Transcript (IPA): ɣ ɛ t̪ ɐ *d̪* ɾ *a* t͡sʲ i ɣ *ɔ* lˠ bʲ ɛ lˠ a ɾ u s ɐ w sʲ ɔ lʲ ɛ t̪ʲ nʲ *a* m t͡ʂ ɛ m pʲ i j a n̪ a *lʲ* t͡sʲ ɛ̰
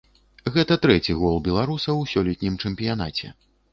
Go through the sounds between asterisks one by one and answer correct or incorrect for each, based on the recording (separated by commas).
incorrect, incorrect, correct, incorrect, incorrect